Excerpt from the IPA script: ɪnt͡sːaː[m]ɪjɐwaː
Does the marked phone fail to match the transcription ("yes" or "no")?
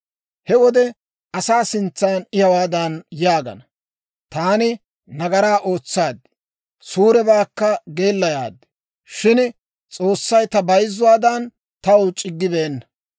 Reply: yes